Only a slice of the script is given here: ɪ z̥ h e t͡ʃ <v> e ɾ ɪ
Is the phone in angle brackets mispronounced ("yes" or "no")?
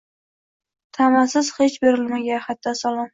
yes